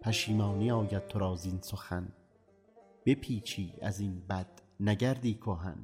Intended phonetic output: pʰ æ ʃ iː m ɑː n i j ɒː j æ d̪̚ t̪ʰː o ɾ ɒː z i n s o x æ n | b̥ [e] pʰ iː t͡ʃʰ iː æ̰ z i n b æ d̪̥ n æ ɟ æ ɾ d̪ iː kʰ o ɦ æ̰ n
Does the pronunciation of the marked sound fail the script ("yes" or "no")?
no